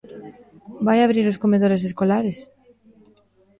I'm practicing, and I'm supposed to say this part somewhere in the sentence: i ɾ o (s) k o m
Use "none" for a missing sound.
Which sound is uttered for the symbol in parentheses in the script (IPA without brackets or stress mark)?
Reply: s